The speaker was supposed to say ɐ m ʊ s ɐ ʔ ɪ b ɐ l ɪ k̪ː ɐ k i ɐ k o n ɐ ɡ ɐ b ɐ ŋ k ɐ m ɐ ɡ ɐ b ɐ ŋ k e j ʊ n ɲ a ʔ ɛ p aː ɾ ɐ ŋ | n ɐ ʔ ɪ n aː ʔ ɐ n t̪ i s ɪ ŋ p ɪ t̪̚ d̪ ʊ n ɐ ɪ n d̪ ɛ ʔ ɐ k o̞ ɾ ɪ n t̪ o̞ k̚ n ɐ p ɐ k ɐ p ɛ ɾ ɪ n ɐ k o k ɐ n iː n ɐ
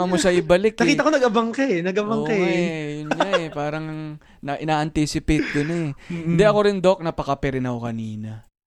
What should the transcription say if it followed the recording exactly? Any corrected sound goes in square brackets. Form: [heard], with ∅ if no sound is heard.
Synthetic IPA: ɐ m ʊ s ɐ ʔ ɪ b ɐ l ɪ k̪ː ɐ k i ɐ k o n ɐ ɡ ɐ b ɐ ŋ k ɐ [n] ɐ ɡ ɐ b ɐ ŋ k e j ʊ n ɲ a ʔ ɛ p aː ɾ ɐ ŋ | n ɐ ʔ ɪ n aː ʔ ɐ n t̪ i s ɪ [∅] p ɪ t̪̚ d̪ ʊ n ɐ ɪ n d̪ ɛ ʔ ɐ k o̞ ɾ ɪ n [d̪] o̞ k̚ n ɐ p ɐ k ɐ p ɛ ɾ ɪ n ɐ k o k ɐ n iː n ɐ